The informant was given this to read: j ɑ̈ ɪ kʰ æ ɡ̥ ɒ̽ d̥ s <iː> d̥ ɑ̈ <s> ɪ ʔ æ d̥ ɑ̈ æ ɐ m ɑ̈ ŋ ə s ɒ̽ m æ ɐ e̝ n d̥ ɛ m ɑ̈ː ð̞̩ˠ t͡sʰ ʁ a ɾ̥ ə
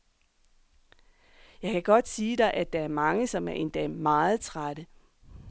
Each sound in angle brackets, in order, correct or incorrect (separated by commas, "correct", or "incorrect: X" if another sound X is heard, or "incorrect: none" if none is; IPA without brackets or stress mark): correct, incorrect: none